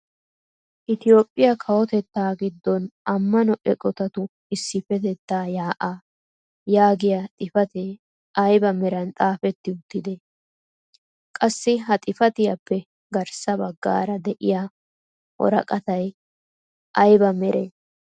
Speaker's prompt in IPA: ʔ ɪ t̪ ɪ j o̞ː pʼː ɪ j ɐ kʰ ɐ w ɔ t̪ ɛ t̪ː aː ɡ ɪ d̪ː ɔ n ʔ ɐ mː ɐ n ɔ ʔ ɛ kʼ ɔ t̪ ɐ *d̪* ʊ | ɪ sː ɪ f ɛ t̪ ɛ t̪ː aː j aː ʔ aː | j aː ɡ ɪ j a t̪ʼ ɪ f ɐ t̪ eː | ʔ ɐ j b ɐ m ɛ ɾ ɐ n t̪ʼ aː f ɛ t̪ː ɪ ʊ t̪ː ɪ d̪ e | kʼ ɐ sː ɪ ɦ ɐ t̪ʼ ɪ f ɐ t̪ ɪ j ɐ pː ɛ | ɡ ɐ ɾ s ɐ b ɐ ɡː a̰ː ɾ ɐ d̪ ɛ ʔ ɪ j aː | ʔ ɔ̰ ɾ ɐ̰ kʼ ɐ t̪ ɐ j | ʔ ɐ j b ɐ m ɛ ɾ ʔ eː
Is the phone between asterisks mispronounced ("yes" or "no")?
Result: yes